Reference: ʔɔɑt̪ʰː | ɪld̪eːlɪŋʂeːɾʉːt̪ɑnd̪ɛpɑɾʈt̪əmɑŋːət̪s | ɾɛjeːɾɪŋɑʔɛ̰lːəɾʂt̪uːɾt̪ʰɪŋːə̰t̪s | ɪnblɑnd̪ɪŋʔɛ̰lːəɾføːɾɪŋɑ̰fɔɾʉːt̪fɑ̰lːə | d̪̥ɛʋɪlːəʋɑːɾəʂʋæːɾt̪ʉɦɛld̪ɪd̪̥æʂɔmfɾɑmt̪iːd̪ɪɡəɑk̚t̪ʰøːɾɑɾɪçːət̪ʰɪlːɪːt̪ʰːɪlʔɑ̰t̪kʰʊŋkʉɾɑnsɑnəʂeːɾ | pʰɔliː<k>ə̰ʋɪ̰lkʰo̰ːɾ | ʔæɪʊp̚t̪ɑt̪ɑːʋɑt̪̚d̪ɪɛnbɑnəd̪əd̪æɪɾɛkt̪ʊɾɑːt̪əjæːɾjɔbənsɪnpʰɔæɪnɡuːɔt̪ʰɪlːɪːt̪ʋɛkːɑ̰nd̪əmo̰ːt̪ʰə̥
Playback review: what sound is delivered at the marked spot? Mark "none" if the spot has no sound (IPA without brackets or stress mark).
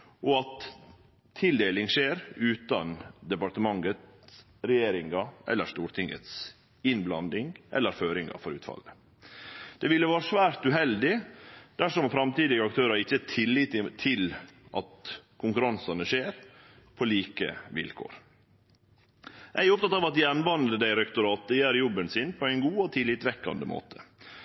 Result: k